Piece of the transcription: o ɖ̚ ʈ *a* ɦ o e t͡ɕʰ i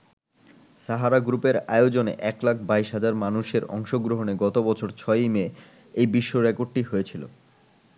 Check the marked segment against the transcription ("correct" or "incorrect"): incorrect